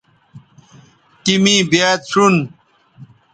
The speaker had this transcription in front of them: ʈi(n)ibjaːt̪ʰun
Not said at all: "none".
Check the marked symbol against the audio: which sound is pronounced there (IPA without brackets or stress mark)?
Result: m